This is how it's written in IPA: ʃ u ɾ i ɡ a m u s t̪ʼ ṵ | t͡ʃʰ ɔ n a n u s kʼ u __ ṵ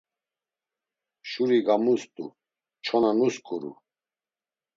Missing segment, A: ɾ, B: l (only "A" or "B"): A